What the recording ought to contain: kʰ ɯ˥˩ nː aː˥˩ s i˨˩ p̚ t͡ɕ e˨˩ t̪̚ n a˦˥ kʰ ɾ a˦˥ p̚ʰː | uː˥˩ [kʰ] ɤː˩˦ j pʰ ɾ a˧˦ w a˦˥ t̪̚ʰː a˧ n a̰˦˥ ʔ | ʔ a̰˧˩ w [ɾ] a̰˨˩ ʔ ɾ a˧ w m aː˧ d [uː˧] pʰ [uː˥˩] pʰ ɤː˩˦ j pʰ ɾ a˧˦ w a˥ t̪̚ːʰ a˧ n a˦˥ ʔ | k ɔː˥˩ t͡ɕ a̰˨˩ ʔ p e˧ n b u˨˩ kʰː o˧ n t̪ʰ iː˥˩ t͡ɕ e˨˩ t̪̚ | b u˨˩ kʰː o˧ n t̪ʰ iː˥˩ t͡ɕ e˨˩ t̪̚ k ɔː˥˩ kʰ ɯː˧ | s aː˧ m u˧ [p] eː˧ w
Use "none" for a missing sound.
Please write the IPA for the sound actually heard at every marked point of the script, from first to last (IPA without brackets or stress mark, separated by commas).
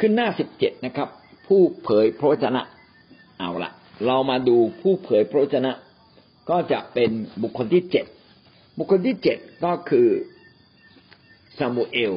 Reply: pʰ, l, uː˧, uː˥˩, ʔ